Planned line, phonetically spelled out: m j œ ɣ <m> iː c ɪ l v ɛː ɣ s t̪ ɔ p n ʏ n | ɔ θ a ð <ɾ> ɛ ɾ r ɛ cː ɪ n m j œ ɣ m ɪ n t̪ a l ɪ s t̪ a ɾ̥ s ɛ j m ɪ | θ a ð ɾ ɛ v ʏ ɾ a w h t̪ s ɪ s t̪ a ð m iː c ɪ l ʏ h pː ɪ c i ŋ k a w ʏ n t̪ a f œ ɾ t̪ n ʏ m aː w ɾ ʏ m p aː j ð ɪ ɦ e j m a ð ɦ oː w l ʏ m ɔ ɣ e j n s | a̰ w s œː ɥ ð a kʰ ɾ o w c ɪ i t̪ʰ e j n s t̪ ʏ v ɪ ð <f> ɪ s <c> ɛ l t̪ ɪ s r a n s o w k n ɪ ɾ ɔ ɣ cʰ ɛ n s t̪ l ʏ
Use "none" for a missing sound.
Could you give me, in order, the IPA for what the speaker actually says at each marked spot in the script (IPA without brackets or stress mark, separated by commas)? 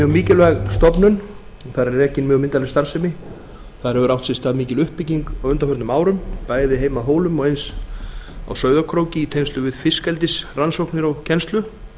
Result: m, ɾ, f, k